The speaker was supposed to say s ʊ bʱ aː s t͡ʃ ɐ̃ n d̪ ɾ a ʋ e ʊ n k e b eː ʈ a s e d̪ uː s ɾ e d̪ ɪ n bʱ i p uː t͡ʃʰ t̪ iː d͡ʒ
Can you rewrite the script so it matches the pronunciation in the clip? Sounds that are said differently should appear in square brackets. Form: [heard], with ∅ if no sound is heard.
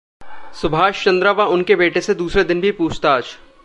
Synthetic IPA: s ʊ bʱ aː [ʃ] t͡ʃ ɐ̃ n d̪ ɾ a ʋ [a] ʊ n k e b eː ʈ [e] s e d̪ uː s ɾ e d̪ ɪ n bʱ i p uː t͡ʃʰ t̪ [aː] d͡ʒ